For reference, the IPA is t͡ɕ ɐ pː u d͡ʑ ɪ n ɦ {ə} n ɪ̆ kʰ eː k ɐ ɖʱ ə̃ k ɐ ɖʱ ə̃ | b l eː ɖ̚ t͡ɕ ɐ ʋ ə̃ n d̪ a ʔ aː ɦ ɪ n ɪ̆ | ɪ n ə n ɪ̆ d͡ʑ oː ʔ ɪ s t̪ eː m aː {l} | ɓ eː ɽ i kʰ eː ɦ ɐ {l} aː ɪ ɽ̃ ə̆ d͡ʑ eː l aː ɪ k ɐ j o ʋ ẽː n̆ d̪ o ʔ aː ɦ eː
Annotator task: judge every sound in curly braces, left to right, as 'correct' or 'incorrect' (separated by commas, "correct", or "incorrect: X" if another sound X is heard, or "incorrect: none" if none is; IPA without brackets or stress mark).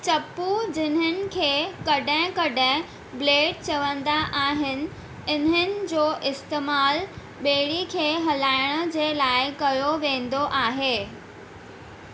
correct, correct, correct